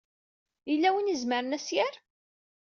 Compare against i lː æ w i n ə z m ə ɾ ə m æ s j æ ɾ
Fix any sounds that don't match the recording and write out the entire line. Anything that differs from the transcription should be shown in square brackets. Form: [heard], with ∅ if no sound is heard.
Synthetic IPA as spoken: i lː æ w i n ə z m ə ɾ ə [n] æ s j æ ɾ